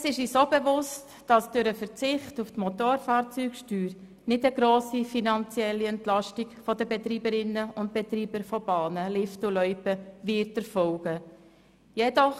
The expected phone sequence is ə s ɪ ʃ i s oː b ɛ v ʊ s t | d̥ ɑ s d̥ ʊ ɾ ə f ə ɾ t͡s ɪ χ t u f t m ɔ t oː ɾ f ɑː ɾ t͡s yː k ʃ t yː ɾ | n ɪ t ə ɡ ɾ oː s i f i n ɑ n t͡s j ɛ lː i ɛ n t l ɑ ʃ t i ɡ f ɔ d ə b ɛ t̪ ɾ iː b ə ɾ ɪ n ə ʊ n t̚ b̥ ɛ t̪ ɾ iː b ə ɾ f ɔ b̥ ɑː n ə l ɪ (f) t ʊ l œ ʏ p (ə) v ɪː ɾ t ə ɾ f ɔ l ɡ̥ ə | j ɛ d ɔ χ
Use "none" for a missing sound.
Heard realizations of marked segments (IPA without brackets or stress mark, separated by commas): f, ə